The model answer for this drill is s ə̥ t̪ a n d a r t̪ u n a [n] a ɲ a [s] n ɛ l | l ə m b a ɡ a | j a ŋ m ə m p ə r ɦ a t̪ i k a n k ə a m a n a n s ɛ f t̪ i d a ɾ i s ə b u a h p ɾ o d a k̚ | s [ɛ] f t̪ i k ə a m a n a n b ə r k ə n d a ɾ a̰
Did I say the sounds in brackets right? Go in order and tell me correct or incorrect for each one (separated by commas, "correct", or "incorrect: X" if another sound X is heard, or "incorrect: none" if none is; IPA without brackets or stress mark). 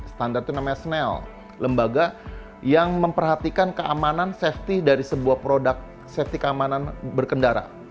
incorrect: m, correct, correct